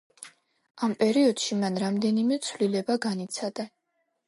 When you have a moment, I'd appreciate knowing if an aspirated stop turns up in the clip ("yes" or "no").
no